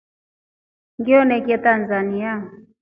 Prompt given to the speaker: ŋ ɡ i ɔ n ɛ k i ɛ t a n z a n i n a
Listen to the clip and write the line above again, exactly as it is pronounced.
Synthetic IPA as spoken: ŋ ɡ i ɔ n ɛ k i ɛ t a n z a n i a